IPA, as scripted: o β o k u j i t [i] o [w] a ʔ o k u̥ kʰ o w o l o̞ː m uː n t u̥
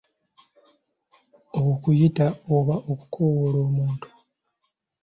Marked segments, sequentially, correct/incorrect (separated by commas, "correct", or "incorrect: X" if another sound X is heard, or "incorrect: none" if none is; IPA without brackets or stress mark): incorrect: a, incorrect: β